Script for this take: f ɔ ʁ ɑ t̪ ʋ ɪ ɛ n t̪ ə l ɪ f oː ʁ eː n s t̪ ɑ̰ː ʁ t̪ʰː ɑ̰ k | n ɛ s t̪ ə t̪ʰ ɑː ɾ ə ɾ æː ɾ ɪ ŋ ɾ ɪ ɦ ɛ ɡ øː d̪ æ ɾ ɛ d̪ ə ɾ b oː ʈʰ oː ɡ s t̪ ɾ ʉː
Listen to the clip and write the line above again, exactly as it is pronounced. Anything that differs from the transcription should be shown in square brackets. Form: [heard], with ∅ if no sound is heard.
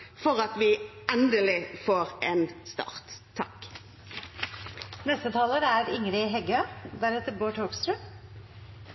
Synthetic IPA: f ɔ ʁ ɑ t̪ ʋ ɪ ɛ n [d̪] ə l ɪ f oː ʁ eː n s t̪ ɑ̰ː ʁ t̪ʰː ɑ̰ k | n ɛ s t̪ ə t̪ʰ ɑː [l] ə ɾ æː ɾ ɪ ŋ ɾ ɪ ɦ ɛ ɡ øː d̪ æ ɾ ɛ [t̪] ə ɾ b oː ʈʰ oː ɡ s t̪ ɾ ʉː